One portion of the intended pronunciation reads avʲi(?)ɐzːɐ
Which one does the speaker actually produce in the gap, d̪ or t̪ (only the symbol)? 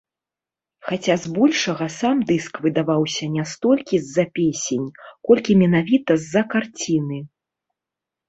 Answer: t̪